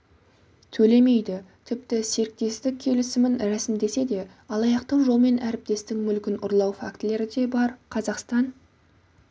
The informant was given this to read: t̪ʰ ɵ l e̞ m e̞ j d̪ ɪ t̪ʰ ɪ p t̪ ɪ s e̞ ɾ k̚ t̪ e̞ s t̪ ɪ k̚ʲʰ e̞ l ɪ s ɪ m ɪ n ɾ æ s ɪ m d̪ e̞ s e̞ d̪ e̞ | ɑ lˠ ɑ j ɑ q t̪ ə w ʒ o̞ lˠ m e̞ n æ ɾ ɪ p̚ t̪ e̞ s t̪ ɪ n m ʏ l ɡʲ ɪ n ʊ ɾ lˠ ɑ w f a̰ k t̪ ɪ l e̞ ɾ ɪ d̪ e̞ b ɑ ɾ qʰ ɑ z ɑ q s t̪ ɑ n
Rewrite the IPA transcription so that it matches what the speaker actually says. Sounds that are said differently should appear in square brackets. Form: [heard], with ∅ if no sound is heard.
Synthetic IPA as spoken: t̪ʰ ɵ l e̞ m e̞ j d̪ ɪ t̪ʰ ɪ p t̪ ɪ s e̞ ɾ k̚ t̪ e̞ s t̪ ɪ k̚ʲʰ e̞ l ɪ s ɪ m ɪ n ɾ æ s ɪ m d̪ e̞ s e̞ d̪ e̞ | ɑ lˠ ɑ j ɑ q t̪ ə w ʒ o̞ lˠ m e̞ n æ ɾ ɪ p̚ t̪ e̞ s t̪ ɪ [ŋ] m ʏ l [kʲ] ɪ n ʊ ɾ lˠ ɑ w f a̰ k t̪ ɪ l e̞ ɾ ɪ d̪ e̞ b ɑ ɾ qʰ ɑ z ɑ q s t̪ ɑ n